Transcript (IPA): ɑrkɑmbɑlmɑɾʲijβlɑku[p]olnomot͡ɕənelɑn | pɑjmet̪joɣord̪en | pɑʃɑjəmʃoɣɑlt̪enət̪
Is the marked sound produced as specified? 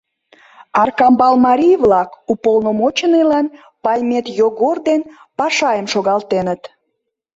yes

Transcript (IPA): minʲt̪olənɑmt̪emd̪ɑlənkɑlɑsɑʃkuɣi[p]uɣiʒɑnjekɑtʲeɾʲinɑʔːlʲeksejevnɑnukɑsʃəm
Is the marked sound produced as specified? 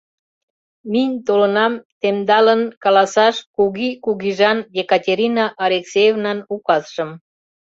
no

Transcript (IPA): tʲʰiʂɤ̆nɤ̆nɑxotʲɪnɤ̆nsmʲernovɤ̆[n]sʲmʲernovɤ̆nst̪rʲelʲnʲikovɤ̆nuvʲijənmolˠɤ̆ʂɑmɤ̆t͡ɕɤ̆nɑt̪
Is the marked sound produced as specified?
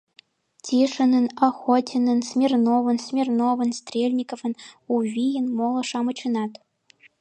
yes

